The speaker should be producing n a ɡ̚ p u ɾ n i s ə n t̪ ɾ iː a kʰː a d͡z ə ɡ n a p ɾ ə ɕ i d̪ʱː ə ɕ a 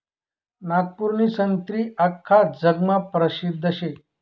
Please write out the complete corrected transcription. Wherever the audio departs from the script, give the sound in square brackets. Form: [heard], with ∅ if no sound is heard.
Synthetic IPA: n a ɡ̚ p u ɾ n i s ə n t̪ ɾ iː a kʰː a d͡z ə ɡ [m] a p ɾ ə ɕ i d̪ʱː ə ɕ [e]